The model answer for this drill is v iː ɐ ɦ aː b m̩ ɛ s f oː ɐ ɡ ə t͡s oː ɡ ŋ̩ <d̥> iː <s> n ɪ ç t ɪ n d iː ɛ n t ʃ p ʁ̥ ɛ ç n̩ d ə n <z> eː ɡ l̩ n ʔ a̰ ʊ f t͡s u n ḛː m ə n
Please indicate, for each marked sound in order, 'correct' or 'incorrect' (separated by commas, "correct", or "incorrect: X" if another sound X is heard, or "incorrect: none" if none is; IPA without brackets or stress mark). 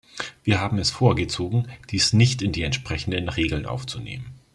correct, correct, incorrect: ʁ